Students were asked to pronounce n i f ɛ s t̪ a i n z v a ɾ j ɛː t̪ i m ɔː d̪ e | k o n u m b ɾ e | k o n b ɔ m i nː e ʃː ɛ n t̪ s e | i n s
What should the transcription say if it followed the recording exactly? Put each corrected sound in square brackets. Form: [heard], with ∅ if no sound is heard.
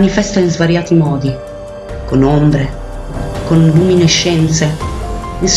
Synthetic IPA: n i f ɛ s t̪ a i n z v a ɾ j [aː] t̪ i m ɔː d̪ [i] | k o n [o] m b ɾ e | k o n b [u] m i [n] e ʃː ɛ n t̪ s e | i n s